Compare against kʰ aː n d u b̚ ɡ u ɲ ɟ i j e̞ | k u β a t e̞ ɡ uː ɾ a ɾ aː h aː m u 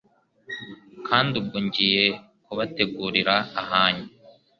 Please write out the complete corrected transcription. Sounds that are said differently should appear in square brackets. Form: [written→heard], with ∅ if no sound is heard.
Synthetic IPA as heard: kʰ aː n d u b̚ ɡ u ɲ ɟ i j e̞ | k u β a t e̞ ɡ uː ɾ [a→i] ɾ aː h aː [m→ɲ] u